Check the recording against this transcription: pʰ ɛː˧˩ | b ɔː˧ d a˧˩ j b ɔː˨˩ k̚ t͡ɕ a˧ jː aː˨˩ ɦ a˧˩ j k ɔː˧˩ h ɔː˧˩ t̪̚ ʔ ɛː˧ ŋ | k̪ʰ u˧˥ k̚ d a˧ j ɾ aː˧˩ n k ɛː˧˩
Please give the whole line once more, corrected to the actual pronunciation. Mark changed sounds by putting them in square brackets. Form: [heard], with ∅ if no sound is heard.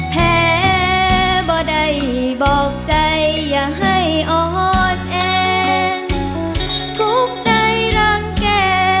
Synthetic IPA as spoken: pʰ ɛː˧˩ | b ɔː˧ d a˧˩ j b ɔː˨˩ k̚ t͡ɕ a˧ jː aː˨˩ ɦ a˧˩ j [ʔ] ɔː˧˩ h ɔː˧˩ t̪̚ ʔ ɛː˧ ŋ | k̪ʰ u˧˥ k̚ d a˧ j ɾ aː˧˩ [ŋ] k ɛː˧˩